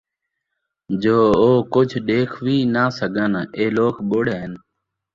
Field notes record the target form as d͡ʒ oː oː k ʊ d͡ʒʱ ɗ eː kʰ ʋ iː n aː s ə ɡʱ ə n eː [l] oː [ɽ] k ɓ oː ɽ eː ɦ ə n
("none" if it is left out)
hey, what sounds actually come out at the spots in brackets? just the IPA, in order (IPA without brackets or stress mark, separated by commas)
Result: l, none